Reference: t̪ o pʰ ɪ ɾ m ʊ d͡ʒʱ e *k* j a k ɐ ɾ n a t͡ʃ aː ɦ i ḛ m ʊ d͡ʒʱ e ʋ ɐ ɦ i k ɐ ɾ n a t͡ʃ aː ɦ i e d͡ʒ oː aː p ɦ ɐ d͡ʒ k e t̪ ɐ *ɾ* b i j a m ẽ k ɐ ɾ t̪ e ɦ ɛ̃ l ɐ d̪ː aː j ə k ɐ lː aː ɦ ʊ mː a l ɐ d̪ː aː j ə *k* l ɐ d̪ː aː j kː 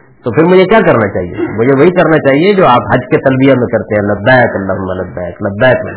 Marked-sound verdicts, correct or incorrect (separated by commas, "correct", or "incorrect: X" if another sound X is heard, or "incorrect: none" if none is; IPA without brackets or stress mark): correct, incorrect: l, correct